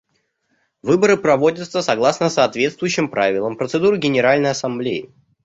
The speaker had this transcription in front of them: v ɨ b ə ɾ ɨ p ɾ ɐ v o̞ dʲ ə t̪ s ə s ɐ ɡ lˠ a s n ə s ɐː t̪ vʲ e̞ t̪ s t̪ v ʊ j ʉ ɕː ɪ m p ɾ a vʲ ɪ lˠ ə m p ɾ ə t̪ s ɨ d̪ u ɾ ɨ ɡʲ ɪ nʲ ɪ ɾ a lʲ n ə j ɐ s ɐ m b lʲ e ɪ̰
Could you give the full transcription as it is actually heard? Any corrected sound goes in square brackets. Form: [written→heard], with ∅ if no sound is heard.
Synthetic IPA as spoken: v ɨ b ə ɾ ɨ p ɾ ɐ v o̞ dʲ ə t̪ s ə s ɐ ɡ lˠ a s n ə s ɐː t̪ vʲ e̞ t̪ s t̪ v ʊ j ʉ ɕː ɪ m p ɾ a vʲ ɪ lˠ ə m p ɾ ə t̪ s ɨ d̪ u ɾ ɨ ɡʲ ɪ nʲ ɪ ɾ a lʲ n ə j ɐ s ɐ m b lʲ e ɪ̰